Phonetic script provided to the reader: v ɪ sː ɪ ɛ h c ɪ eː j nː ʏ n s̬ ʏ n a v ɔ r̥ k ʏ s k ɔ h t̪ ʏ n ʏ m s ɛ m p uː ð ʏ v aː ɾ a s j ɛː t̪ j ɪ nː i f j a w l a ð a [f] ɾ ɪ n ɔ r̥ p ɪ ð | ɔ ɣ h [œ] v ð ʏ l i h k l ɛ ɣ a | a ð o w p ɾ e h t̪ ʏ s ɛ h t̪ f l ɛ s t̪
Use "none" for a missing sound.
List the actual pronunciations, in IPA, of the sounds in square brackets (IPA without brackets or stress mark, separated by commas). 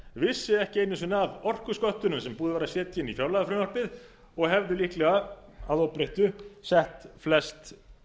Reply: f, ɛ